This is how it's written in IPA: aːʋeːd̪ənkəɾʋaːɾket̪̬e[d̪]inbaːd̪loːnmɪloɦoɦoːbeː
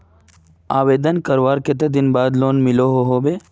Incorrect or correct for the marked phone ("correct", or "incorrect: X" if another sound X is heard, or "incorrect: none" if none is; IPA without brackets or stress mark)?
correct